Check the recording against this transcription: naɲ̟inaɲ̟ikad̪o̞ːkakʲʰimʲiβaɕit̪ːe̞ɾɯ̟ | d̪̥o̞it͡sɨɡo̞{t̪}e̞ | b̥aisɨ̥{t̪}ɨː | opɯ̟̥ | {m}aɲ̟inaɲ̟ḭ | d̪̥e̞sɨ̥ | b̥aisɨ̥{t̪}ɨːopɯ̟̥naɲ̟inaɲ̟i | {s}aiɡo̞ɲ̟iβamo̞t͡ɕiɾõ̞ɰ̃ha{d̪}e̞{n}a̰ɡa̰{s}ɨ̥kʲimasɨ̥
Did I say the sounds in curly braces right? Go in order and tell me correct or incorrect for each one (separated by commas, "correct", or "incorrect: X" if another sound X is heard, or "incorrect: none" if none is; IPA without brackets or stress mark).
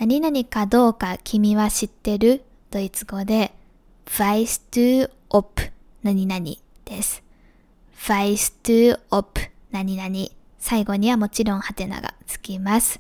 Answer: incorrect: d̪, correct, incorrect: n, correct, correct, incorrect: t̪, correct, incorrect: t͡s